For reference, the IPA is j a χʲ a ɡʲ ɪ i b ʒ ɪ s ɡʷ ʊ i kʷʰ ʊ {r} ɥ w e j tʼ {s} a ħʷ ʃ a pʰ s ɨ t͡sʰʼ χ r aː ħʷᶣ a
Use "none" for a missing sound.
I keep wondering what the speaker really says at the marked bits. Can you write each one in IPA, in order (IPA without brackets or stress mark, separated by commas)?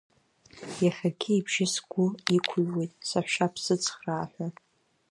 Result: none, s